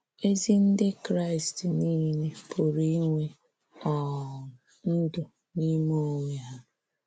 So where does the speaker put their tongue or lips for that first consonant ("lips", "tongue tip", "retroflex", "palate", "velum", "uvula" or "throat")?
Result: tongue tip